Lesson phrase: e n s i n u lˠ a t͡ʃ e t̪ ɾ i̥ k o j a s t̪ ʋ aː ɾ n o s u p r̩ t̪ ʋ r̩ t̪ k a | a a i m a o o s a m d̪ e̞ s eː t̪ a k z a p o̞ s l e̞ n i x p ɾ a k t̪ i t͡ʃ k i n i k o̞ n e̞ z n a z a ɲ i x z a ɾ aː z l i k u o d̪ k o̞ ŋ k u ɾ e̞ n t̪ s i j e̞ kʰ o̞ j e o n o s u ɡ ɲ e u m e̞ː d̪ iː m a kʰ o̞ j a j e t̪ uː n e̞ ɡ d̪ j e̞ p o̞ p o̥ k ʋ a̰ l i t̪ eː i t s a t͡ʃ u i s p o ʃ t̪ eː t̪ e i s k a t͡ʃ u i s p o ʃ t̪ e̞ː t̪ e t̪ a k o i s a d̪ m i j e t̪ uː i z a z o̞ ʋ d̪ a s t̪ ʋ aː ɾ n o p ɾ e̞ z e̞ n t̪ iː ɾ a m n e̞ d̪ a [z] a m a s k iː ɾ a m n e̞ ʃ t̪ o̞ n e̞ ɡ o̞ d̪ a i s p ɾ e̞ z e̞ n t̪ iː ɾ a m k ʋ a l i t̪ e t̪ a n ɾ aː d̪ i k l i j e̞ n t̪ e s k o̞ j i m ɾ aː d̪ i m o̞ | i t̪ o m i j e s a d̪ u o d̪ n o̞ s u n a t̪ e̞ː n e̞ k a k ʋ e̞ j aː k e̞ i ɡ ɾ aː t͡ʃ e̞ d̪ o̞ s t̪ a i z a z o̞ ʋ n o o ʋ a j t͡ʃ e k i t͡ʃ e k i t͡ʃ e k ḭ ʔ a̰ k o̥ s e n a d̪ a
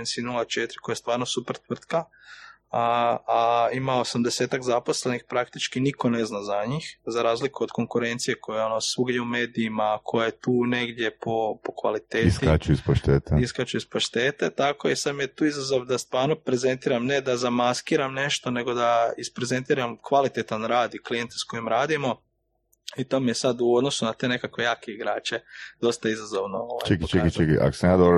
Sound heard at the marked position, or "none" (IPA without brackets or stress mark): z